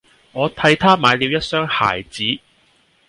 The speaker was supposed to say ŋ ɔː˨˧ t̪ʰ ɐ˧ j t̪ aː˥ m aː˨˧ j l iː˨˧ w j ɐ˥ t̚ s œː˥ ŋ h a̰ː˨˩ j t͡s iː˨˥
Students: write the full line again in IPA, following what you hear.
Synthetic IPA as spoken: ŋ ɔː˨˧ t̪ʰ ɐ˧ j t̪ʰ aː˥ m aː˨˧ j l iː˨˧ w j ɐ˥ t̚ s œː˥ ŋ h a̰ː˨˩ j t͡s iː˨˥